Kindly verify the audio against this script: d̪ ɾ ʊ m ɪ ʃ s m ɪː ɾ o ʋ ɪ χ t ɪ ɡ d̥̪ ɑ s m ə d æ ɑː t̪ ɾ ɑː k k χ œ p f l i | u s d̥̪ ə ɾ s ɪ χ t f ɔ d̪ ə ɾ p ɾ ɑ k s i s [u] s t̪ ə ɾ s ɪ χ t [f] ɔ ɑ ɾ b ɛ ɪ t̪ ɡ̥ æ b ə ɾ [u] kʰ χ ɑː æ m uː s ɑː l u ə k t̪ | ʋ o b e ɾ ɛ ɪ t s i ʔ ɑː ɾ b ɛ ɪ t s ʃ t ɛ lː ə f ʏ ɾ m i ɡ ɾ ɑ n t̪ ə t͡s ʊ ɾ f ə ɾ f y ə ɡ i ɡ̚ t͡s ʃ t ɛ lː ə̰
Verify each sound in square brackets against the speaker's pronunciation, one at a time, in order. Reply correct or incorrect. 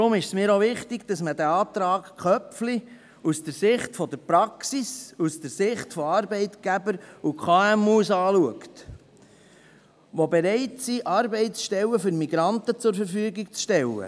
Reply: correct, correct, correct

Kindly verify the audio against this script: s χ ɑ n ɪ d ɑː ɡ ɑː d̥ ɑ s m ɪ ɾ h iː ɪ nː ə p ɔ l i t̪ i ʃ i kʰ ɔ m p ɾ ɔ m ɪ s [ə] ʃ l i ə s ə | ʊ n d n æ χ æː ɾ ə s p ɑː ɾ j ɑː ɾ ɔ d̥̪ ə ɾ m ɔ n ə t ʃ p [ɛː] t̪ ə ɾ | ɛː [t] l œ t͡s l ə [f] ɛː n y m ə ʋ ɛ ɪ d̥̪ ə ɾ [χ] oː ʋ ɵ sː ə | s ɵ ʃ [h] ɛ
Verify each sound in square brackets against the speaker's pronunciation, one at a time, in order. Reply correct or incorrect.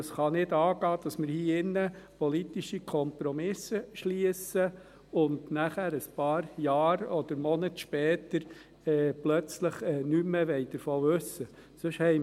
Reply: correct, correct, incorrect, incorrect, incorrect, correct

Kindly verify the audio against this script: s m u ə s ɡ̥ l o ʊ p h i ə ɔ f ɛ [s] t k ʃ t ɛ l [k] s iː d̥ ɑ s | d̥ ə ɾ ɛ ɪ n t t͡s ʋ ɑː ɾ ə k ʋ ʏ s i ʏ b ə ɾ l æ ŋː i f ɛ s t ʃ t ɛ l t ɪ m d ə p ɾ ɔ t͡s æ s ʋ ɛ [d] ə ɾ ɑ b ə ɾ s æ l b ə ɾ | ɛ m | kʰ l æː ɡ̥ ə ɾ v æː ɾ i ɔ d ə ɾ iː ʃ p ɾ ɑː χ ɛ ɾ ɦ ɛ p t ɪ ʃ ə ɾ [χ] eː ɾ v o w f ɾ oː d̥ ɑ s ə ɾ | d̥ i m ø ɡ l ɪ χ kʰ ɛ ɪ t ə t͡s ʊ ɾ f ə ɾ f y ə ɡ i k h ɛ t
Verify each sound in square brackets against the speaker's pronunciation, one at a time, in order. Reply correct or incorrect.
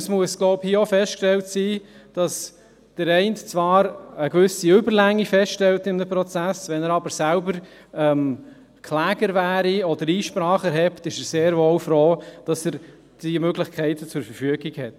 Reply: correct, incorrect, incorrect, incorrect

